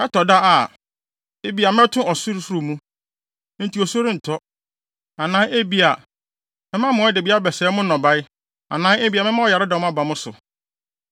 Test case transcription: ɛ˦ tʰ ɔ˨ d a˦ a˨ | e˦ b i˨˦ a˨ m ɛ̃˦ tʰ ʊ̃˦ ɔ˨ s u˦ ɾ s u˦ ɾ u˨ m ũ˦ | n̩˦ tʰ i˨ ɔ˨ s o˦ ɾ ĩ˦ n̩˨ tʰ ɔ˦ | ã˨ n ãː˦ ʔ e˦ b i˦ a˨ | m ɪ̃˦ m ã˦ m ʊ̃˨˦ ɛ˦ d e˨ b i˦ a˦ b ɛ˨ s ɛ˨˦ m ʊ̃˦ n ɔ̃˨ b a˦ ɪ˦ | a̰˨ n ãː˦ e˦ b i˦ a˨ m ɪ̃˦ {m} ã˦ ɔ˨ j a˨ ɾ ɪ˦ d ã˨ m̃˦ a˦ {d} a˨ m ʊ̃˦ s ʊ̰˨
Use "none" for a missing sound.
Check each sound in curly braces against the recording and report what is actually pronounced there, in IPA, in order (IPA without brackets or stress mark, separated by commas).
m, b